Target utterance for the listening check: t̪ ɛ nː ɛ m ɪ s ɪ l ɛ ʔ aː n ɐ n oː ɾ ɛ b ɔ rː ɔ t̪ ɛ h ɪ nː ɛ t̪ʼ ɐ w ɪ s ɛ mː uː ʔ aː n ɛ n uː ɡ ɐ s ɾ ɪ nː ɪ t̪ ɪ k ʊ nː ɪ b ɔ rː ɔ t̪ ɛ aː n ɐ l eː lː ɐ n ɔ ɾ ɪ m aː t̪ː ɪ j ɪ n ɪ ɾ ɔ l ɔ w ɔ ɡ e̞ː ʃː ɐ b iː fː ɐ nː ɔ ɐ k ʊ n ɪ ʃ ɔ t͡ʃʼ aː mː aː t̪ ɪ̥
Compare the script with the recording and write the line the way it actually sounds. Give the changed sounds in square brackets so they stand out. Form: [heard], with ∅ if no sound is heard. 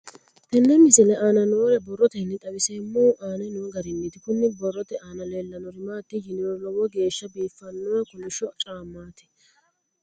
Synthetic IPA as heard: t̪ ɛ nː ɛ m ɪ s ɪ l ɛ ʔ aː n ɐ n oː ɾ ɛ b ɔ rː ɔ t̪ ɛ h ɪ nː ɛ t̪ʼ ɐ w ɪ s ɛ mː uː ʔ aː n ɛ n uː ɡ ɐ [∅] ɾ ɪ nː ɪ t̪ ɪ k ʊ nː ɪ b ɔ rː ɔ t̪ ɛ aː n ɐ l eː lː ɐ n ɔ ɾ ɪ m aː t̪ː ɪ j ɪ n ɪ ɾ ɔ l ɔ w ɔ ɡ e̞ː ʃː ɐ b iː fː ɐ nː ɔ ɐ k ʊ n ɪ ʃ ɔ t͡ʃʼ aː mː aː t̪ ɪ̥